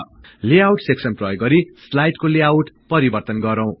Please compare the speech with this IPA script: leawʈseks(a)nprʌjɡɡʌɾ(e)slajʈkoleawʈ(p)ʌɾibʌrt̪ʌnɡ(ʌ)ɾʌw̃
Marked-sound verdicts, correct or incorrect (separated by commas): incorrect, incorrect, correct, correct